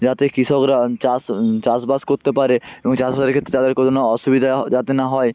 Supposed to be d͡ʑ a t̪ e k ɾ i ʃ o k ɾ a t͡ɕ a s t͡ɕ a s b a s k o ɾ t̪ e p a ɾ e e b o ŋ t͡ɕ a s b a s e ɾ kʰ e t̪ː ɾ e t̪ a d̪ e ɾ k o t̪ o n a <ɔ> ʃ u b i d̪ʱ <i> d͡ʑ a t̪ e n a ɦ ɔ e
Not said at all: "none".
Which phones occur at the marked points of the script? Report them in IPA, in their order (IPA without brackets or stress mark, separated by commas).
ɔ, a